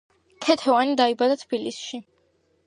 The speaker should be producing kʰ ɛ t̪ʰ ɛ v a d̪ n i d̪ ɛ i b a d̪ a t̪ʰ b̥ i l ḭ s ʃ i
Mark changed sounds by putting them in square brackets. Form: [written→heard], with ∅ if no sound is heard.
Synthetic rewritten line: kʰ ɛ t̪ʰ ɛ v a [d̪→∅] n i d̪ [ɛ→a] i b a d̪ a t̪ʰ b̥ i l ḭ s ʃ i